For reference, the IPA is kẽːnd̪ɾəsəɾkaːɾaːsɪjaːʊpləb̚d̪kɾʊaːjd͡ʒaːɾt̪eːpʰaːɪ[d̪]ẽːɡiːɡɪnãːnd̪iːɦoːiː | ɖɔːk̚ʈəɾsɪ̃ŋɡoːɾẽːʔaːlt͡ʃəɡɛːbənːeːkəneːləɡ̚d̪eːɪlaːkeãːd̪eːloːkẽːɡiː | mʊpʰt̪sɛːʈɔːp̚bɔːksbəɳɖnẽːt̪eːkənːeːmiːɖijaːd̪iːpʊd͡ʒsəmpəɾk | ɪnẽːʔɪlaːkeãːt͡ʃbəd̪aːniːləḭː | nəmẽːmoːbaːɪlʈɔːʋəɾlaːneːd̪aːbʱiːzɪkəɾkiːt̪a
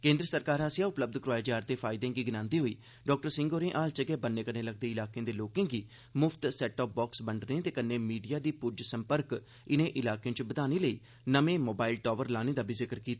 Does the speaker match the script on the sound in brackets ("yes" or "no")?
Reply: yes